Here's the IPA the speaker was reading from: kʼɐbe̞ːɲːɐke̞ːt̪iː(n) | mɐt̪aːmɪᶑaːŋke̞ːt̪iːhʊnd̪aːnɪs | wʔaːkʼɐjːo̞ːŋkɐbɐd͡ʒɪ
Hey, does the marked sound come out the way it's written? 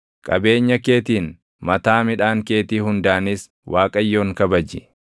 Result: yes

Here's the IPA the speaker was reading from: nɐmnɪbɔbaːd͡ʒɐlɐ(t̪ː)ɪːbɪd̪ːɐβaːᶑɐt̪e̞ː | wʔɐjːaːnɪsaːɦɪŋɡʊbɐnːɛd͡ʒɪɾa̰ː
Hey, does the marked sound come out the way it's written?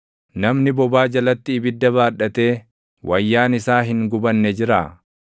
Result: yes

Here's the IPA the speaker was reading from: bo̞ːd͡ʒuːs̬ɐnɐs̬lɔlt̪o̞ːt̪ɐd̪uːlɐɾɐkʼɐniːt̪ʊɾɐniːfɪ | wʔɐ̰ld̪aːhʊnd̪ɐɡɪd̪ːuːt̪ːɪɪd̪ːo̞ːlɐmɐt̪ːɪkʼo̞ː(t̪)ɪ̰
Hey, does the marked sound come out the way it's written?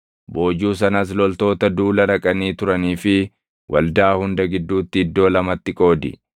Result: no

